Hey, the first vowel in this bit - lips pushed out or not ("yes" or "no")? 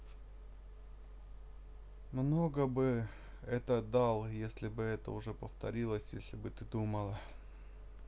yes